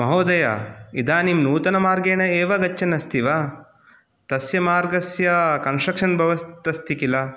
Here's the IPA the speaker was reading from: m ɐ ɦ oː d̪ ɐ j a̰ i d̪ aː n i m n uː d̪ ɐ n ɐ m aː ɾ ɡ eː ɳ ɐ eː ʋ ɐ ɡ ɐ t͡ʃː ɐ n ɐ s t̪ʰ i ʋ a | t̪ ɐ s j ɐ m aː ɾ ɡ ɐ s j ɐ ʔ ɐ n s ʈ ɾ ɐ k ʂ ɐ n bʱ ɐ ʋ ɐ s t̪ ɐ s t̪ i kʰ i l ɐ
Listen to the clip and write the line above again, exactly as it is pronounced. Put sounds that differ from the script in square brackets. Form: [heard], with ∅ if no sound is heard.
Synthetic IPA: m ɐ ɦ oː d̪ ɐ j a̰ i d̪ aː n i m n uː [t̪] ɐ n ɐ m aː ɾ ɡ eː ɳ ɐ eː ʋ ɐ ɡ ɐ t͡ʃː ɐ n ɐ s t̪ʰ i ʋ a | t̪ ɐ s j ɐ m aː ɾ ɡ ɐ s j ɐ [k] ɐ n s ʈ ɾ ɐ k ʂ ɐ n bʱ ɐ ʋ ɐ s t̪ ɐ s t̪ i [k] i l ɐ